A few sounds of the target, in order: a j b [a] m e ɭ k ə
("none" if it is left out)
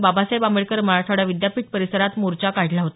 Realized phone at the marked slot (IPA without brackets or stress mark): a